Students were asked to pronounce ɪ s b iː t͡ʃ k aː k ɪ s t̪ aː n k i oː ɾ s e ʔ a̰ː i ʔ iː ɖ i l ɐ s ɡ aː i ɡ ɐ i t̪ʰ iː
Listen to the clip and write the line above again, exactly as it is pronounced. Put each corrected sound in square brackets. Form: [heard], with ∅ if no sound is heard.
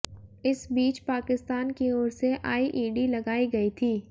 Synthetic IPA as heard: ɪ s b iː t͡ʃ [p] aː k ɪ s t̪ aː n k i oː ɾ s e ʔ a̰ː i ʔ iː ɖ i l ɐ [∅] ɡ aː i ɡ ɐ i t̪ʰ iː